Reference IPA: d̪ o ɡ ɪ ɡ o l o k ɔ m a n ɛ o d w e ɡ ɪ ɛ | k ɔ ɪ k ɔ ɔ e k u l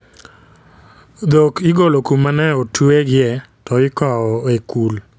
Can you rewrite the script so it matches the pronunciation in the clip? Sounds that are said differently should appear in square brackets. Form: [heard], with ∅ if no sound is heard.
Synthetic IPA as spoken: d̪ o [k] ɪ ɡ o l o k [u] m a n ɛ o [t] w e ɡ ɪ ɛ | [t] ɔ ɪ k ɔ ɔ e k u l